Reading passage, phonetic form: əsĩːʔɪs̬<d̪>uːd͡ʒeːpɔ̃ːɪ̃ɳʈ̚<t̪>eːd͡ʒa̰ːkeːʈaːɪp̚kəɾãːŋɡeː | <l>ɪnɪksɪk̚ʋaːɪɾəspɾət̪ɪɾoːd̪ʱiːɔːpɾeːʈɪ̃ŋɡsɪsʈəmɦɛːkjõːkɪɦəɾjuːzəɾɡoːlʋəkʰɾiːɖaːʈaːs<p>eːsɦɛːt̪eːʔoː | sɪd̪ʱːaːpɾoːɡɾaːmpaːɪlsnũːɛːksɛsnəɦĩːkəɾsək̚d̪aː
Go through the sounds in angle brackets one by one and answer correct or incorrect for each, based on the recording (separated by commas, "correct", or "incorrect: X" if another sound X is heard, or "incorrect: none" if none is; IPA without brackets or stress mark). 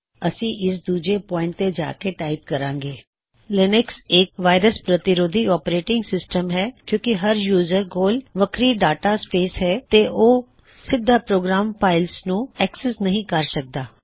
correct, correct, correct, correct